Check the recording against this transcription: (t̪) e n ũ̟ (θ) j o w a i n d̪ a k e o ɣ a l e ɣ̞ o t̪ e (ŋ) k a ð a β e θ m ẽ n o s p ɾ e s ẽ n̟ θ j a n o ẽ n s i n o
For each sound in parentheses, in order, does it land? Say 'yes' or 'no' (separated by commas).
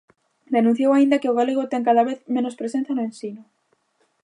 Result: no, yes, yes